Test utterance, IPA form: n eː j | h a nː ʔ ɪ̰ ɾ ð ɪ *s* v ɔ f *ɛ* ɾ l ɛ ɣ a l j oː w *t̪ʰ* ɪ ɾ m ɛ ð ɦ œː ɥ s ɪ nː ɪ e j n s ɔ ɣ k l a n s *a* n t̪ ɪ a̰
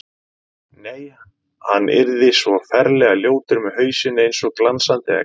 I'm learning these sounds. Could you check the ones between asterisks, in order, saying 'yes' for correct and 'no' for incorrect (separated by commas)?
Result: yes, yes, no, yes